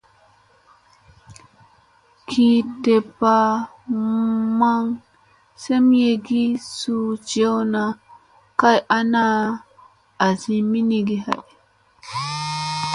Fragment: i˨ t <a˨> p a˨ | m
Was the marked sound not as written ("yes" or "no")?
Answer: yes